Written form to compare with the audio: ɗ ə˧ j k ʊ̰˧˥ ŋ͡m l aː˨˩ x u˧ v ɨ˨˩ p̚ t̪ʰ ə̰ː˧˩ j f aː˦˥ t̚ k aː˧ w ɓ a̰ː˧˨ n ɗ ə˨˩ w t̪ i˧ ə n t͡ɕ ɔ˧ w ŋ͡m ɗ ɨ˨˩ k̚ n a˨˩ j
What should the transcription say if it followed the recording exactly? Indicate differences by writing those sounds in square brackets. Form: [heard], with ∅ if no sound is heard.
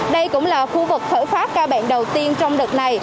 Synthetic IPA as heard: ɗ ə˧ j k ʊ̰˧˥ ŋ͡m l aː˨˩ x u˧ v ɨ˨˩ [k̚] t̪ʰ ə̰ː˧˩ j f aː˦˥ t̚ k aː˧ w ɓ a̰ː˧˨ n ɗ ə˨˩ w t̪ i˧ ə n t͡ɕ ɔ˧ w ŋ͡m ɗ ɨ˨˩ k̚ n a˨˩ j